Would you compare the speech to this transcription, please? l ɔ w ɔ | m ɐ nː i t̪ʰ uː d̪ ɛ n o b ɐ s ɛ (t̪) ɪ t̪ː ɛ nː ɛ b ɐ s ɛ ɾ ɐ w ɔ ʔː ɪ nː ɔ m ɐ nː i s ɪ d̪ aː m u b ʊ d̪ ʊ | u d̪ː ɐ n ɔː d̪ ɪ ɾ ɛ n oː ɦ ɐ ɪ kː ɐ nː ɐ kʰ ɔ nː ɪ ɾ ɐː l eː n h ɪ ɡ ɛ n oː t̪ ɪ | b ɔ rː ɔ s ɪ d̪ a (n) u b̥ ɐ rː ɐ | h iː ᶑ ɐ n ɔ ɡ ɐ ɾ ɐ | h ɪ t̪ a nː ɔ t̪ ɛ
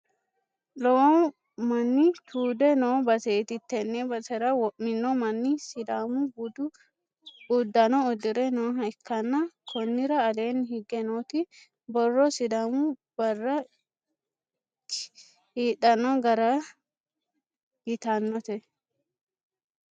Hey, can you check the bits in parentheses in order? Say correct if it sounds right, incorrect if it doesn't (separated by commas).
correct, incorrect